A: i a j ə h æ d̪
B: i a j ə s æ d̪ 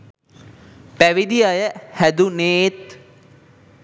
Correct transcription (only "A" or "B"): A